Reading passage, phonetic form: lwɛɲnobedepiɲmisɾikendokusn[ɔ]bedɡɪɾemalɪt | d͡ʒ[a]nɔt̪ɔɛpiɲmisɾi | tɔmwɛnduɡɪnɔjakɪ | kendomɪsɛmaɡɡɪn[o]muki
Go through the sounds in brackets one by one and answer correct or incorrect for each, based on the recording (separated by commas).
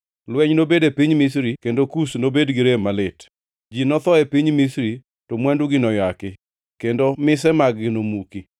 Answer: incorrect, incorrect, correct